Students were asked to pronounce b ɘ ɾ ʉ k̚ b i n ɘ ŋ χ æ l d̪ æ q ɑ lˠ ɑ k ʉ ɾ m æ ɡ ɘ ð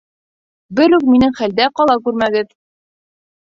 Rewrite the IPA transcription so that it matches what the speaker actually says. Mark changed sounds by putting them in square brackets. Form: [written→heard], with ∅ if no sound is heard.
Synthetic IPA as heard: b ɘ ɾ ʉ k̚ [b→m] i n ɘ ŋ χ æ l d̪ æ q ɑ lˠ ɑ k ʉ ɾ m æ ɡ ɘ ð